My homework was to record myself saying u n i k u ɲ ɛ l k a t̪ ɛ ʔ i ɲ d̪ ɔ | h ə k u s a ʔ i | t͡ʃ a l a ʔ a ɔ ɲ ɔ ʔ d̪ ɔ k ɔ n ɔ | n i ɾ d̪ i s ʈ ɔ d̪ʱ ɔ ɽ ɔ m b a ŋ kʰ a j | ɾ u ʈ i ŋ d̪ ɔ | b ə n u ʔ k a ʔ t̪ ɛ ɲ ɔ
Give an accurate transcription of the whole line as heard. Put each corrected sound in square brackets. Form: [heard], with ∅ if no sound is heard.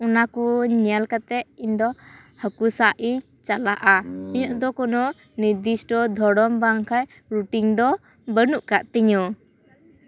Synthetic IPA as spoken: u n [a] k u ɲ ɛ l k a t̪ ɛ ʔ i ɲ d̪ ɔ | h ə k u s a ʔ i | t͡ʃ a l a ʔ a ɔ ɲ ɔ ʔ d̪ ɔ k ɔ n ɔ | n i ɾ d̪ i s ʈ ɔ d̪ʱ ɔ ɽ ɔ m b a ŋ kʰ a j | ɾ u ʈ i ŋ d̪ ɔ | b ə n u ʔ k a ʔ t̪ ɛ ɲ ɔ

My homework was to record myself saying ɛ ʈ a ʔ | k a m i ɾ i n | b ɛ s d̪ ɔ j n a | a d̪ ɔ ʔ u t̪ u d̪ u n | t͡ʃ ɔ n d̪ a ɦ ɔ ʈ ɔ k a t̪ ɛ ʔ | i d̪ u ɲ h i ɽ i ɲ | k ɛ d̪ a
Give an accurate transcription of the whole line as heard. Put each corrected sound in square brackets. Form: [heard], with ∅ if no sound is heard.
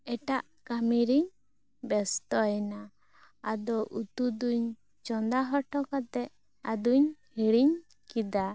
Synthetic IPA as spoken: ɛ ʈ a ʔ | k a m i ɾ i [ɲ] | b ɛ s [t̪] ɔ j n a | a d̪ ɔ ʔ u t̪ u d̪ u [ɲ] | t͡ʃ ɔ n d̪ a ɦ ɔ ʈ ɔ k a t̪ ɛ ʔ | [a] d̪ u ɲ h i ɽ i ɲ | k [i] d̪ a

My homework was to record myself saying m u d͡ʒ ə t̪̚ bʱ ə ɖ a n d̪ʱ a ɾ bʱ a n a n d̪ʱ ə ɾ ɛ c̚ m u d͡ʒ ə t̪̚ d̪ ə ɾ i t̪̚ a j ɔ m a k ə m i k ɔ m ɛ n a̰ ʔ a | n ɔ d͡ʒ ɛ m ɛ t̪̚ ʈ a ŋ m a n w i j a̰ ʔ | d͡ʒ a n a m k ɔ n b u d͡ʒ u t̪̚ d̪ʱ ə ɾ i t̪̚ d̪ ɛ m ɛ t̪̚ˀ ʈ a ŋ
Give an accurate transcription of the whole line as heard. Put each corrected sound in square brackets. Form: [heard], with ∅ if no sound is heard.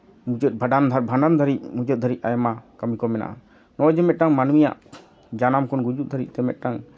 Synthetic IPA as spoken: m u d͡ʒ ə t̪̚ bʱ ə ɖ a n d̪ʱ a ɾ bʱ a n a n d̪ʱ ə ɾ [i] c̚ m u d͡ʒ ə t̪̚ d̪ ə ɾ i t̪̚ a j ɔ m a k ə m i k ɔ m ɛ n a̰ ʔ a | n ɔ d͡ʒ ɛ m ɛ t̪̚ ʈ a ŋ m a n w i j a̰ ʔ | d͡ʒ a n a m k ɔ n [ɡ] u d͡ʒ u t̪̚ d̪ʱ ə ɾ i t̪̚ [t̪] ɛ m ɛ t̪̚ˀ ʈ a ŋ

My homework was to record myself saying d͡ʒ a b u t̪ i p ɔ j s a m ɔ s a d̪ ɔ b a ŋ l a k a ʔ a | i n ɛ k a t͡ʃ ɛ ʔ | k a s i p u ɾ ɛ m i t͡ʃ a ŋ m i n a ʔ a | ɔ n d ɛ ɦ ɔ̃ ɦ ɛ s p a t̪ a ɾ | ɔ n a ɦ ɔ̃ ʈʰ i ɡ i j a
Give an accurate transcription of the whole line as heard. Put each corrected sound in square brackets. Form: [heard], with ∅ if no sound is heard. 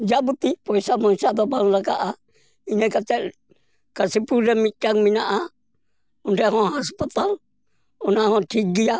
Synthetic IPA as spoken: d͡ʒ a b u t̪ i p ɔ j s a m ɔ s a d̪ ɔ b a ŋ l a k a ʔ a | i n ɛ k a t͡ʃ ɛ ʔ | k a s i p u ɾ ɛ m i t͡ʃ a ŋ m i n a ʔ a | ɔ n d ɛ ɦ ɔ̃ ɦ [a] s p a t̪ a [l] | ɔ n a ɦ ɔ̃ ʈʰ i ɡ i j a

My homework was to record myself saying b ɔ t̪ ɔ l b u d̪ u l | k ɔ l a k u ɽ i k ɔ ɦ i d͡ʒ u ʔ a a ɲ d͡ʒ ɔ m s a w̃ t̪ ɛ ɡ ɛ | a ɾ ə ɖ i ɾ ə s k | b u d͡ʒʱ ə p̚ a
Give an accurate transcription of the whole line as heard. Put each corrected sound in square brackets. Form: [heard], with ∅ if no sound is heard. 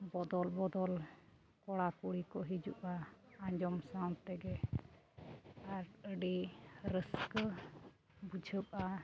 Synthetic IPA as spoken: b ɔ [d̪] ɔ l b [ɔ] d̪ [ɔ] l | k ɔ [ɽ] a k u ɽ i k ɔ ɦ i d͡ʒ u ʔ a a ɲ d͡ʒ ɔ m s a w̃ t̪ ɛ ɡ ɛ | a ɾ ə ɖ i ɾ ə s k | b u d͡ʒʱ ə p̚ a

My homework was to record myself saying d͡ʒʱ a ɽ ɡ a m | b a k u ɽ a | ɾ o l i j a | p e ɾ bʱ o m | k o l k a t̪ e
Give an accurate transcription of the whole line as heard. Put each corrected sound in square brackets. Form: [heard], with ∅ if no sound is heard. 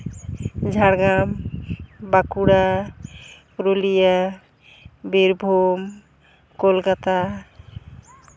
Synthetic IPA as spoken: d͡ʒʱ a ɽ ɡ a m | b a k u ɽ a | ɾ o l i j a | [b] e ɾ bʱ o m | k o l k a t̪ [a]

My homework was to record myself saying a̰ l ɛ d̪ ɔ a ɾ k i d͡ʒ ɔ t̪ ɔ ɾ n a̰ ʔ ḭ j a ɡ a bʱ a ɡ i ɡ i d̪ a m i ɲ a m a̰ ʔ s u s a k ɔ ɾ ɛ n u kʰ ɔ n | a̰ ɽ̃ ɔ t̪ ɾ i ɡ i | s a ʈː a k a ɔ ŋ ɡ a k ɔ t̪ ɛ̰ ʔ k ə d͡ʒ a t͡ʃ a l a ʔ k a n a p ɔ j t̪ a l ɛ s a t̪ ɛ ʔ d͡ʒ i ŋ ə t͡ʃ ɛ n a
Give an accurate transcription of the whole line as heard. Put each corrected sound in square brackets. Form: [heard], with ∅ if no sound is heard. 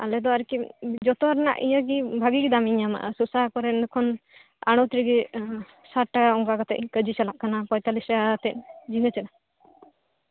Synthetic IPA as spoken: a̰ l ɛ d̪ ɔ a ɾ k i d͡ʒ ɔ t̪ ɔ ɾ n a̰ ʔ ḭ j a ɡ [i] bʱ a ɡ i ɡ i d̪ a m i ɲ a m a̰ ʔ s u s a k ɔ ɾ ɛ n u kʰ ɔ n | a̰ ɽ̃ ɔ t̪ ɾ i ɡ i | s a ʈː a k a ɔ ŋ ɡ a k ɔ t̪ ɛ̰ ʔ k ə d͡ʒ [i] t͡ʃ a l a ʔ k a n a p ɔ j t̪ a l [i] s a t̪ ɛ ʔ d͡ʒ i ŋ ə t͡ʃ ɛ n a

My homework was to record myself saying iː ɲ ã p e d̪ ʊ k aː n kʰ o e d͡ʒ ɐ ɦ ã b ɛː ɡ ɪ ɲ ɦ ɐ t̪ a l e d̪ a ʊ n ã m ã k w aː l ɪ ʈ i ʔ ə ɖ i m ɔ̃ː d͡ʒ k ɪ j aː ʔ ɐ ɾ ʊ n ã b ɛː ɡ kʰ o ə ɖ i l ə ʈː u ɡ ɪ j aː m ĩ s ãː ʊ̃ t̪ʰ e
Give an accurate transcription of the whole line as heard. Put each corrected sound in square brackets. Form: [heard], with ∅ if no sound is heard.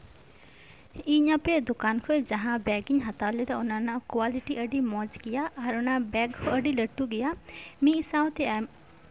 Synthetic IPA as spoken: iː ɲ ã p e d̪ ʊ k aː n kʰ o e d͡ʒ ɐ ɦ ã b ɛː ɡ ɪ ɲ ɦ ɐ t̪ a l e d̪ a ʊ n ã [n] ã k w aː l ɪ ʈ i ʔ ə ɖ i m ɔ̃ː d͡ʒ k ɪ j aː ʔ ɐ ɾ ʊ n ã b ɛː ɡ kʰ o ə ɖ i l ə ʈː u ɡ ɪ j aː m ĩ s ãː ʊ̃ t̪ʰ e

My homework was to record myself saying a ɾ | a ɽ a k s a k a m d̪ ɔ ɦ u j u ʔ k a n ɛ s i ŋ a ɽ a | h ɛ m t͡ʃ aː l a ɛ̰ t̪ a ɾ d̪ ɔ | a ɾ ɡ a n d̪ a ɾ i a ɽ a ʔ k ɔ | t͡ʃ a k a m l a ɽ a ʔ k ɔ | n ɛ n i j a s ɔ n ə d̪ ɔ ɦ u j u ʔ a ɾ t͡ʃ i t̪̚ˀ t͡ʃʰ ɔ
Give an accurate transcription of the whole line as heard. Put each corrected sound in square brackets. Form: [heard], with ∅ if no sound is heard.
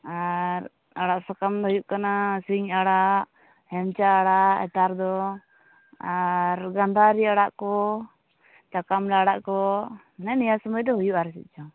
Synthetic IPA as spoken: a ɾ | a ɽ a [ʔ] s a k a m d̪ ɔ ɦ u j u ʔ k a n [a] s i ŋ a ɽ a | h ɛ m t͡ʃ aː [ɽ] a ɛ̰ t̪ a ɾ d̪ ɔ | a ɾ ɡ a n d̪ a ɾ i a ɽ a ʔ k ɔ | t͡ʃ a k a m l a ɽ a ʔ k ɔ | n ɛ n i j a s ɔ [m] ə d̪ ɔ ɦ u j u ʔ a ɾ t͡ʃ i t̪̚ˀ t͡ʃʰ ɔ

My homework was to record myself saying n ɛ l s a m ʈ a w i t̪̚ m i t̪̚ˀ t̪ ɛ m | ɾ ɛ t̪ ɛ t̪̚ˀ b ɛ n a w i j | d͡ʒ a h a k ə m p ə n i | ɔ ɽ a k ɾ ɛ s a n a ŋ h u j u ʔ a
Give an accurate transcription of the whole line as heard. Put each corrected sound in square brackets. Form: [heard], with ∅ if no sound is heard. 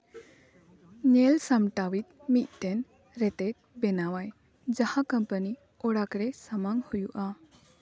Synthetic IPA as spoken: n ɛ l s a m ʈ a w i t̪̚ m i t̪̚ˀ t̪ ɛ [n] | ɾ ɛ t̪ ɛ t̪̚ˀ b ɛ n a w [a] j | d͡ʒ a h a k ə m p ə n i | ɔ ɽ a k ɾ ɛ s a [m] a ŋ h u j u ʔ a

